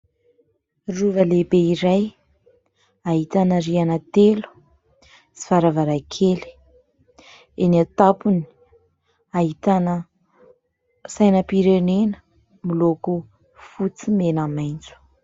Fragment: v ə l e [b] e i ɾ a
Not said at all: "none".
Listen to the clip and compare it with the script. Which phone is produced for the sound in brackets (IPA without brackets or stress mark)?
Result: b